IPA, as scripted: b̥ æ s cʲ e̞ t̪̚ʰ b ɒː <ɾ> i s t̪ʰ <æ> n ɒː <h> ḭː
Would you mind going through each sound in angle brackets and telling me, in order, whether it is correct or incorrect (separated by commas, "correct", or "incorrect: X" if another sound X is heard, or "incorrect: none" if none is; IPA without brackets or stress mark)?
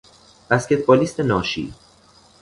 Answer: incorrect: l, incorrect: e, incorrect: ʃ